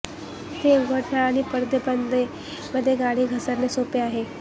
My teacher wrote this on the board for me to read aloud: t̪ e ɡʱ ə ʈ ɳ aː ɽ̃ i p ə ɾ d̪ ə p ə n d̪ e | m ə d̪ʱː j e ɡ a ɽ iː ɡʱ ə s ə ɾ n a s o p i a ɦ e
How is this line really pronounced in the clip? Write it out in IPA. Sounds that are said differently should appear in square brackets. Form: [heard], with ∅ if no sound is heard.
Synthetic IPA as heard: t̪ e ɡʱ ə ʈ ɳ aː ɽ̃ i p ə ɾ d̪ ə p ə n d̪ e | m ə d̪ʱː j e ɡ a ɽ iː ɡʱ ə s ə ɾ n [e] s o p [e] a ɦ e